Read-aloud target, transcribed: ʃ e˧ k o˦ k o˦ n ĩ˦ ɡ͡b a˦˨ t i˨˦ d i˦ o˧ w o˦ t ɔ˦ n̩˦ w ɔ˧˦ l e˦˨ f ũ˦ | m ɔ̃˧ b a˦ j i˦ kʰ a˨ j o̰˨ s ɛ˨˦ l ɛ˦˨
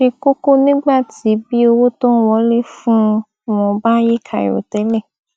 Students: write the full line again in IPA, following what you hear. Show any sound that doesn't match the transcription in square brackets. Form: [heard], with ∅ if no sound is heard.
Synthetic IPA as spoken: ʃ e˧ k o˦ k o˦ n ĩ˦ ɡ͡b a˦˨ t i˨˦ [b] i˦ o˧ w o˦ t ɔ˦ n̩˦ w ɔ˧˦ l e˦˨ f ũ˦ | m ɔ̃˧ b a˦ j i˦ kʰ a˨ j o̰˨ [t] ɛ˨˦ l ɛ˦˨